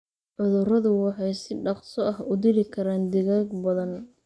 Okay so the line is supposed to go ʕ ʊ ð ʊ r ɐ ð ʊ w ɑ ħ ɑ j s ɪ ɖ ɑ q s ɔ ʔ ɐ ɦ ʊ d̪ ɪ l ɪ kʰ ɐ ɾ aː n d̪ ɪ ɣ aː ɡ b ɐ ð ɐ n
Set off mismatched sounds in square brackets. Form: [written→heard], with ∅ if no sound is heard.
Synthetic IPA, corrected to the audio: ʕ ʊ ð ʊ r ɐ ð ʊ w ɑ ħ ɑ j s ɪ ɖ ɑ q s ɔ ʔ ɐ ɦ ʊ d̪ ɪ l ɪ kʰ ɐ ɾ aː n d̪ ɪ ɣ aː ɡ b ɐ ð ɐ n